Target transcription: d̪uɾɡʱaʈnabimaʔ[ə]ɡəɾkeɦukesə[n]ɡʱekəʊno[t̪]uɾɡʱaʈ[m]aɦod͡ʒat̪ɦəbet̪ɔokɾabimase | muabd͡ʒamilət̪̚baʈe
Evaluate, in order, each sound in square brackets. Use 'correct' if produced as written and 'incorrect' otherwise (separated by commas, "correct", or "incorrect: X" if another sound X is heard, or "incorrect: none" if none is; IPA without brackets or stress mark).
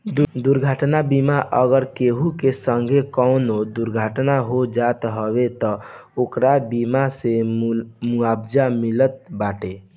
correct, incorrect: ŋ, incorrect: d̪, incorrect: n